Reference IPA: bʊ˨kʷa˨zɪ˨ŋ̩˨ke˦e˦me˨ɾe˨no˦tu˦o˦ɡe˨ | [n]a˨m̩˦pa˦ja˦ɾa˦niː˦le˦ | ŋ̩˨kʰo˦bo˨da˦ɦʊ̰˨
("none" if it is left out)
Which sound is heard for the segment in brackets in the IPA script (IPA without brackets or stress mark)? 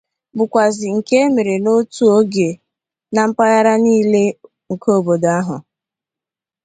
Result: n